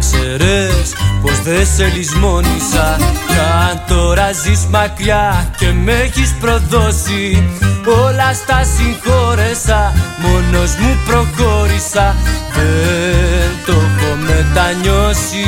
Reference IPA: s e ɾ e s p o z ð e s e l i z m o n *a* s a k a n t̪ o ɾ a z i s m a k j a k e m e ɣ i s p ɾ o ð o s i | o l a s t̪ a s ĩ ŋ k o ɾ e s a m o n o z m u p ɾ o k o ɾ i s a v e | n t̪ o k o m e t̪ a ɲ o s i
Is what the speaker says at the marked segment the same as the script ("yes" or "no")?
no